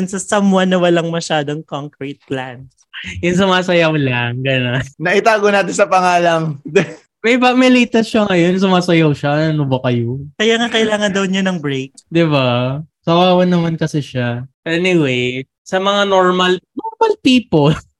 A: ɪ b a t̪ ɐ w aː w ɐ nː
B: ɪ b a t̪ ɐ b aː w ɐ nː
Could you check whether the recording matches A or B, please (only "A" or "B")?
A